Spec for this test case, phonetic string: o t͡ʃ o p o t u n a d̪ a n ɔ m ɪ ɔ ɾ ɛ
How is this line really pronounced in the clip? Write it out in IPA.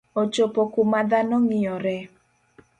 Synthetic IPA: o t͡ʃ o p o k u m a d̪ a n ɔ ŋ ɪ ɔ ɾ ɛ